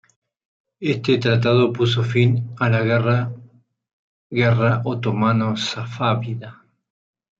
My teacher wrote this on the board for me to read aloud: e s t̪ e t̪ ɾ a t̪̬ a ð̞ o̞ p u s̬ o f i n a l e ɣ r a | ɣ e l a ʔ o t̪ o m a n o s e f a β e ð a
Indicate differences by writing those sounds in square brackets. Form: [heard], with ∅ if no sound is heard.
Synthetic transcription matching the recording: e s t̪ e t̪ ɾ a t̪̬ a ð̞ o̞ p u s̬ o f i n a l [a] ɣ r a | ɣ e [r] a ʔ o t̪ o m a n o s [a] f a β [i] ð a